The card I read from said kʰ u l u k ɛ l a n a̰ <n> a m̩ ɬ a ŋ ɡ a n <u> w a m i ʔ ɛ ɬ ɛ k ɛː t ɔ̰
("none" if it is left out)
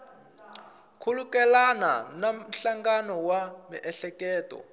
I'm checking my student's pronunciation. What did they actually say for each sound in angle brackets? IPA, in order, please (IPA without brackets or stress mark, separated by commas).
n, ɔ